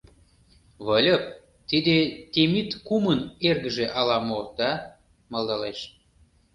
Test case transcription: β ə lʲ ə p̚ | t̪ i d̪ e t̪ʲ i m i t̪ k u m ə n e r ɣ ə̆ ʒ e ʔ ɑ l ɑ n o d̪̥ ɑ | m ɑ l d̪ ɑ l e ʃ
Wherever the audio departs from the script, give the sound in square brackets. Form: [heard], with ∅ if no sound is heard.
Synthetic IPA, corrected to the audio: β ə lʲ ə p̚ | t̪ i d̪ e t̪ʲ [e] m i t̪ k u m ə n e r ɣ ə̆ ʒ e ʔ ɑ l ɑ [m] o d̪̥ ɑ | m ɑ l d̪ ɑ l e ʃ